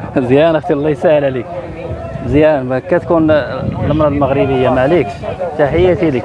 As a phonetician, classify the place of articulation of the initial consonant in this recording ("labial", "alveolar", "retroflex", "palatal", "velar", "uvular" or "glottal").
alveolar